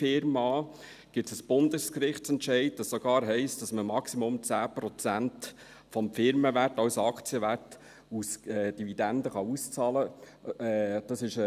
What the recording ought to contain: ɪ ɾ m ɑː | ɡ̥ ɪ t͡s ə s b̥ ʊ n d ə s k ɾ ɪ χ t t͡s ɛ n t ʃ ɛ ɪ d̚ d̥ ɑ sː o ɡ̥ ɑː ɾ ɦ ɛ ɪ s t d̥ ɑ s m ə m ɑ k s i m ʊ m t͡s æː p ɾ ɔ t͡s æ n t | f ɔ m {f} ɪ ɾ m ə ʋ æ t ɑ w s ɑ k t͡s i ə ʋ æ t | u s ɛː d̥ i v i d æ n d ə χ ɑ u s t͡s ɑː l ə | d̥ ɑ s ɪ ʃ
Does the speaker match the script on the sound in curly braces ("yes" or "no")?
yes